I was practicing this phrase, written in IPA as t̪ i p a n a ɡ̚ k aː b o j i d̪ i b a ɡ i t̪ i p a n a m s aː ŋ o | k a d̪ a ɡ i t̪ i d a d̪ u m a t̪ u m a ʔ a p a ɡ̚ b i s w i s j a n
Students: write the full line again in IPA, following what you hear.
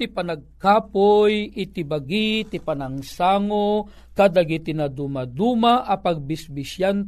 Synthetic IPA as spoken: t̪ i p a n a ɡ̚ k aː p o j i t̪ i b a ɡ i t̪ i p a n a ŋ s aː ŋ o | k a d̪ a ɡ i t̪ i n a d̪ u m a d̪ u m a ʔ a p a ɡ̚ b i s b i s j a n